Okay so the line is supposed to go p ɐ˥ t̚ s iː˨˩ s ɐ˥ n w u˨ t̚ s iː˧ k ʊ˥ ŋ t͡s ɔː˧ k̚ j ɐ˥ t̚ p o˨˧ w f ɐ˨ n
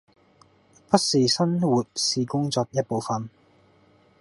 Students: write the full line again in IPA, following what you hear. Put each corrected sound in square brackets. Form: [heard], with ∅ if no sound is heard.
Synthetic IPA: p ɐ˥ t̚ s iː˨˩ s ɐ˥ n w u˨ t̚ s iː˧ k ʊ˥ ŋ t͡s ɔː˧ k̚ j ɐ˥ t̚ p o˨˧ w f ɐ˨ n